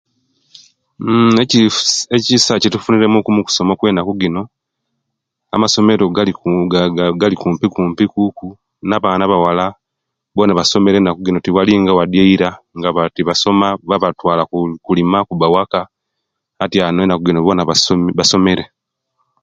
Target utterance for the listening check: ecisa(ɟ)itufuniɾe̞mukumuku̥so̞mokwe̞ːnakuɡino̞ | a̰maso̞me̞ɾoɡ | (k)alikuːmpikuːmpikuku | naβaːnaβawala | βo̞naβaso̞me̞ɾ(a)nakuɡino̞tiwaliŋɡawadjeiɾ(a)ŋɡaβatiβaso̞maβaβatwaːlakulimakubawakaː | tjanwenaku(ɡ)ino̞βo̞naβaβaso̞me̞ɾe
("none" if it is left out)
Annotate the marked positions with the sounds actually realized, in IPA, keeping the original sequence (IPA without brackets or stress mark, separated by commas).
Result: c, ɡ, e, a, ɡ